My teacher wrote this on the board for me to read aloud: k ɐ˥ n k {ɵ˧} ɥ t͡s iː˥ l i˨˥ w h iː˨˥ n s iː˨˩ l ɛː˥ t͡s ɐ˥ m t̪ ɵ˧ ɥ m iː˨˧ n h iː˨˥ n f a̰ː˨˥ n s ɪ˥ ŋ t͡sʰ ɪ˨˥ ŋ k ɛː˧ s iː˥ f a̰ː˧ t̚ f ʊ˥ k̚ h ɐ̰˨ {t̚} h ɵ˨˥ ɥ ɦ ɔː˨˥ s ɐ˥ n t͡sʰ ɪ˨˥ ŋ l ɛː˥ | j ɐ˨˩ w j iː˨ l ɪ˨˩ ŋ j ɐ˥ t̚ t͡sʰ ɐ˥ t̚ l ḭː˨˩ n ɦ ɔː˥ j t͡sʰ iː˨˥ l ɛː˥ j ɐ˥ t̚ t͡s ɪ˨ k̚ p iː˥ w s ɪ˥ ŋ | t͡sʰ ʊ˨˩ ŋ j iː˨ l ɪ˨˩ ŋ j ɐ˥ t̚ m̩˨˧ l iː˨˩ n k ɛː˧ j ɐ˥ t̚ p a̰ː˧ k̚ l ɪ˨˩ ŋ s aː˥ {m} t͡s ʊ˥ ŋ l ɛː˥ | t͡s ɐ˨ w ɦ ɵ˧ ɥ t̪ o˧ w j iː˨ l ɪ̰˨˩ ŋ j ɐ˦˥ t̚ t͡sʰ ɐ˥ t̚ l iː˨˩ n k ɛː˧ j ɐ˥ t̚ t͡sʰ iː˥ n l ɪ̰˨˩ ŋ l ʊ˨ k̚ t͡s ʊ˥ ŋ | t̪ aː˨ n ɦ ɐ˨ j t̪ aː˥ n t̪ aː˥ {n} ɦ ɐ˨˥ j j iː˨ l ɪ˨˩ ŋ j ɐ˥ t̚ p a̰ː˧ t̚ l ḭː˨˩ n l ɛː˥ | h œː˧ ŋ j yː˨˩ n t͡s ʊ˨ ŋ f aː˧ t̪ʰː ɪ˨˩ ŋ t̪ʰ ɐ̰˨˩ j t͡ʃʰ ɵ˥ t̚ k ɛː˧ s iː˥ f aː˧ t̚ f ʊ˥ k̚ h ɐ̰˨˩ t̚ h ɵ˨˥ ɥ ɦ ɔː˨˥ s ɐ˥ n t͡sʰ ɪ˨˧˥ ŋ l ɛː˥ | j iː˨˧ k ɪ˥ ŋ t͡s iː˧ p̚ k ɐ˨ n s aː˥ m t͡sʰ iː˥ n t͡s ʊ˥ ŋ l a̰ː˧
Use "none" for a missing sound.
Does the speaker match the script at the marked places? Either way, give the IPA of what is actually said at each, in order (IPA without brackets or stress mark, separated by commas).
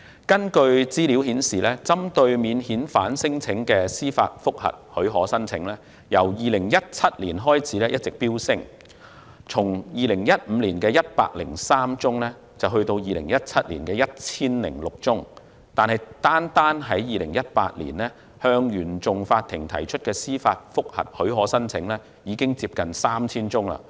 ɵ˧, t̚, m, n